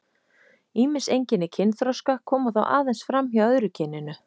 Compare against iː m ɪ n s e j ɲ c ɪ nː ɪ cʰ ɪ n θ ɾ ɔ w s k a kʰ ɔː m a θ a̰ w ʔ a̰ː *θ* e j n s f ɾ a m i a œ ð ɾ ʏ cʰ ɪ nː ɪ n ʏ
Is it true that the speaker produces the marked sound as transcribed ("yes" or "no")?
no